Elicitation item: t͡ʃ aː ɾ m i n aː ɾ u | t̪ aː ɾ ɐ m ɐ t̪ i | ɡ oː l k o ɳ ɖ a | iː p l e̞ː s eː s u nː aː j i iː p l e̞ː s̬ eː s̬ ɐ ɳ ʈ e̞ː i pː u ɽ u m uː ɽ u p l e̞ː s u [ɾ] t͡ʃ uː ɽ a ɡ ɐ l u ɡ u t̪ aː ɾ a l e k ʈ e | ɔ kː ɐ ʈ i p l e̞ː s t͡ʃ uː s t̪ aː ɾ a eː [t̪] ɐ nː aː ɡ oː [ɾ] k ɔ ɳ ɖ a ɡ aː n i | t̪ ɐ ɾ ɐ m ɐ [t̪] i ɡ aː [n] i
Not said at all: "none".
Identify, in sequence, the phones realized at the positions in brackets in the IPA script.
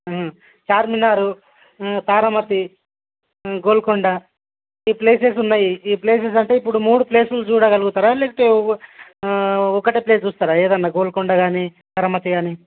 l, d̪, l, t̪, n

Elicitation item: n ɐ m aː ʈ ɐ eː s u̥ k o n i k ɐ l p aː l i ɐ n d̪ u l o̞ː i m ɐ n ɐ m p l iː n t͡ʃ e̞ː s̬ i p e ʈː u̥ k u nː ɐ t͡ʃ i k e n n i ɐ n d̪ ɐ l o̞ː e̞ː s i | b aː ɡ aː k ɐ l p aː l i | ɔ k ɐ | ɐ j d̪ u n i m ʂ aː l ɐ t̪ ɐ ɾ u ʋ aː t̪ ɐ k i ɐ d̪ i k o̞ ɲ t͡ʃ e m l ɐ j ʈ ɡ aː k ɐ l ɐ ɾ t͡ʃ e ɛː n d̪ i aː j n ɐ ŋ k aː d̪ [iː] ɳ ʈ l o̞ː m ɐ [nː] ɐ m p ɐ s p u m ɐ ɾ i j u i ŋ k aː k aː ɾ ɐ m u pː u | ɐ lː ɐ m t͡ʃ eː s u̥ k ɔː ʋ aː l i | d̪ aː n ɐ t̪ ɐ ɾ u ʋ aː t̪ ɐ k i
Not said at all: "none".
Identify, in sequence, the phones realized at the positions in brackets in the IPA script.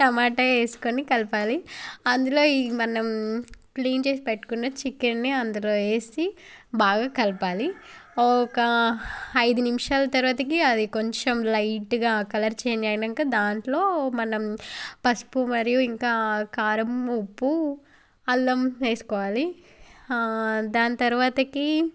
aː, n

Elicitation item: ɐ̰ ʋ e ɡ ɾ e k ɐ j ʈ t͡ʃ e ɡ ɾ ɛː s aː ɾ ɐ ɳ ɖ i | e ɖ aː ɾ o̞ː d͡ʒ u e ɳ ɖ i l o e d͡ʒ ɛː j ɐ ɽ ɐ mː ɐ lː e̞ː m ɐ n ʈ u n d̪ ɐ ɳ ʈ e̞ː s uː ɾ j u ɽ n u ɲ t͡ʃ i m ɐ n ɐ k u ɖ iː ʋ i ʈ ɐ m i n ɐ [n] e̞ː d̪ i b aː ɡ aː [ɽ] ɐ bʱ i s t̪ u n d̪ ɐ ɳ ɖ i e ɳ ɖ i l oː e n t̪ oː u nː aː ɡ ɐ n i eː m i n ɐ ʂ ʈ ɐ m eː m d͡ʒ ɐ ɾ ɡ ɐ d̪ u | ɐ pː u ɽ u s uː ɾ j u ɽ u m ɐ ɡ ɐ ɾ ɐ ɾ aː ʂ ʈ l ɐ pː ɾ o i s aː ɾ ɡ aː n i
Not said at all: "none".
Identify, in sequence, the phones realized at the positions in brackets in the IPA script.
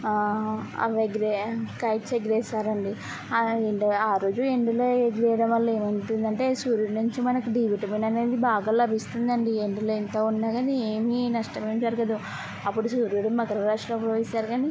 n, l

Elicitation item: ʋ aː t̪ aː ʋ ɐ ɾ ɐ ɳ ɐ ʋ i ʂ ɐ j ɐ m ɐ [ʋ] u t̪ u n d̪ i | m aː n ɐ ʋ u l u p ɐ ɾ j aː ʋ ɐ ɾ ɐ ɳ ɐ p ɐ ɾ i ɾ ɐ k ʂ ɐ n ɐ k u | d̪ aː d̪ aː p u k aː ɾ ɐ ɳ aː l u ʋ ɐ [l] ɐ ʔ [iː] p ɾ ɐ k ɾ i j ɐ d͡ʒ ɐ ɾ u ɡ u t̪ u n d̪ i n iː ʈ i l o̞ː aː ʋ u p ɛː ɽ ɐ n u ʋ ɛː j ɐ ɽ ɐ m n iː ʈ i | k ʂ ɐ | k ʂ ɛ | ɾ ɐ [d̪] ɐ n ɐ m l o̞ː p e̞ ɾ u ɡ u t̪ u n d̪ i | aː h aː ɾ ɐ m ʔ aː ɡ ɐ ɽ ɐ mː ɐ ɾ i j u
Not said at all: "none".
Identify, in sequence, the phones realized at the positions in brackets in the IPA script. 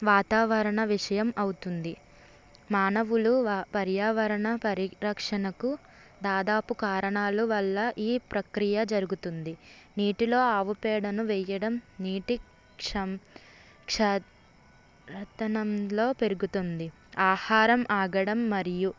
w, lː, iː, t̪

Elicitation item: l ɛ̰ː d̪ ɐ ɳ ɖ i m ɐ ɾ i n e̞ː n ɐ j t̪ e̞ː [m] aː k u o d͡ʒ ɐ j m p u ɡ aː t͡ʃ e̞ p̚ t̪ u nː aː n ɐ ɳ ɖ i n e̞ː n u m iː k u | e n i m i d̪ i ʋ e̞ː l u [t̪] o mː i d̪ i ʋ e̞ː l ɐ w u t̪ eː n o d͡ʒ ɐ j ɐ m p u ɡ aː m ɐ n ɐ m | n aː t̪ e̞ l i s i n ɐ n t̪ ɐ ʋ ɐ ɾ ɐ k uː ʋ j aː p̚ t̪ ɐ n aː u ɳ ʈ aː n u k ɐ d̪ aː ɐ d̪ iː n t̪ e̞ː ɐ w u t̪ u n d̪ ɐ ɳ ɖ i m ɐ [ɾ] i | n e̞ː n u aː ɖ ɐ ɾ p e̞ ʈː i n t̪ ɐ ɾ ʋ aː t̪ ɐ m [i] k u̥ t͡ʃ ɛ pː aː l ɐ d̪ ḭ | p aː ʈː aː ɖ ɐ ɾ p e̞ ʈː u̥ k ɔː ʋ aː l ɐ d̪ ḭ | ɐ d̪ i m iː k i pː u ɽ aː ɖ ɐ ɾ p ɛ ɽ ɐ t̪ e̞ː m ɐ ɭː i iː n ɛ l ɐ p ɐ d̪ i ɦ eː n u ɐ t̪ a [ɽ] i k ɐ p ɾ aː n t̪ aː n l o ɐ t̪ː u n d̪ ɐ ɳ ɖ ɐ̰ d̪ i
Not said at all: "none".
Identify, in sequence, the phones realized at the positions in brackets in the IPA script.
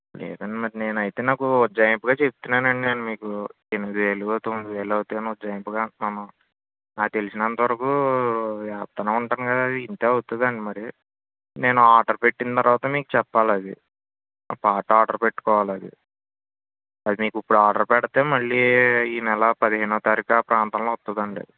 n, t̪, ɾ, iː, ɾ

